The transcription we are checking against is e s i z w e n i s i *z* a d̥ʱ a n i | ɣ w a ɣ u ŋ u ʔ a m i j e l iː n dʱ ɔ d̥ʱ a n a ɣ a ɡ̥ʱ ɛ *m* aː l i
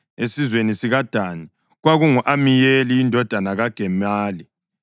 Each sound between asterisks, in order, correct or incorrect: incorrect: ɣ, correct

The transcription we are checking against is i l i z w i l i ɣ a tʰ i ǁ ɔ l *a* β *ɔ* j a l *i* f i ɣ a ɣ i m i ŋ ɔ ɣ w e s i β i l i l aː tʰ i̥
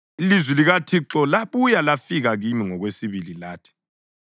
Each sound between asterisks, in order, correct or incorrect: correct, incorrect: u, incorrect: a

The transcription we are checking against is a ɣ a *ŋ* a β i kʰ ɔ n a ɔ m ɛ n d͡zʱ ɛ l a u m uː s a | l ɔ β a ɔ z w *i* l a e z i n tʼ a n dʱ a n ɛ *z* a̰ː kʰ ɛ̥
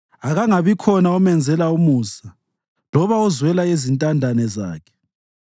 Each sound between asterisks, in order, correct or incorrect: correct, incorrect: ɛ, correct

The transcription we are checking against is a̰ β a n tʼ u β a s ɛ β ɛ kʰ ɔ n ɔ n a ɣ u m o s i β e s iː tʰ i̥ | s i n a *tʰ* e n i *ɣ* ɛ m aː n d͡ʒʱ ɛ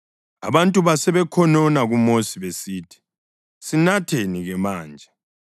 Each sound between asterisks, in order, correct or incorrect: correct, correct

